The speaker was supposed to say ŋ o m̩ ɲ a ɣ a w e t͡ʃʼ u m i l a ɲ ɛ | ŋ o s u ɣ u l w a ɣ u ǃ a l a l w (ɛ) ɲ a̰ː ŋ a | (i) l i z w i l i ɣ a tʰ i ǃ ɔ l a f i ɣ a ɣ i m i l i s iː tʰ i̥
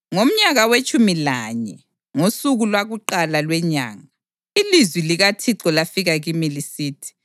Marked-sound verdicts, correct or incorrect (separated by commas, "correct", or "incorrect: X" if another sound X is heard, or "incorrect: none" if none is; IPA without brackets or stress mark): correct, correct